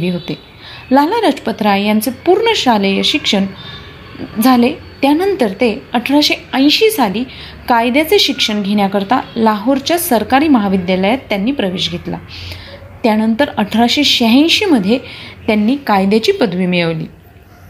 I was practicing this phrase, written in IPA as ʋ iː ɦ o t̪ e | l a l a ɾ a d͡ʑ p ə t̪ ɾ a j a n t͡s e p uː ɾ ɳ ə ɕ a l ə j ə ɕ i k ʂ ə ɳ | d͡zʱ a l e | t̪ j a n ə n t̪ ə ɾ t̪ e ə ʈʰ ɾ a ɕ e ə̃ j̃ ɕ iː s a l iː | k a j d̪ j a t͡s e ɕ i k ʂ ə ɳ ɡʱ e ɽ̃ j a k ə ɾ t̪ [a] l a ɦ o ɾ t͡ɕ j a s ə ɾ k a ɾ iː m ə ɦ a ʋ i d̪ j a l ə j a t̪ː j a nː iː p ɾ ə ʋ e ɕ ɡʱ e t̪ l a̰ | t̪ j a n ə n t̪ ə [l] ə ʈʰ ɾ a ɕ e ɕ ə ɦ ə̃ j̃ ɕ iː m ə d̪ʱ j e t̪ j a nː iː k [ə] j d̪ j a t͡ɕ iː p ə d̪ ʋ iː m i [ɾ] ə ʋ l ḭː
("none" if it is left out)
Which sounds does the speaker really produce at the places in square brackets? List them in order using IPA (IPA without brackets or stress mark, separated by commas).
a, ɾ, a, ɭ